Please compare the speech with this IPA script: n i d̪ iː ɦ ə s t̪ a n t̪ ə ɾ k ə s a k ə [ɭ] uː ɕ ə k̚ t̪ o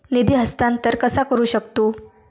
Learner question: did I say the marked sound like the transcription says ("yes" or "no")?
no